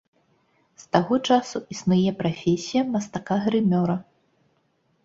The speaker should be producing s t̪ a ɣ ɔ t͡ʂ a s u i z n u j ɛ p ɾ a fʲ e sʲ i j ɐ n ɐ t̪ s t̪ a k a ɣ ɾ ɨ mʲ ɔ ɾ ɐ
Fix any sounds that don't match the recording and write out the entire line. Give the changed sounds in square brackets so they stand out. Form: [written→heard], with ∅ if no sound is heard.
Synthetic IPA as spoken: s t̪ a ɣ ɔ t͡ʂ a s u i [z→s] n u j ɛ p ɾ a fʲ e sʲ i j ɐ [n→m] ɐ [t̪→∅] s t̪ a k a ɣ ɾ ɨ mʲ ɔ ɾ ɐ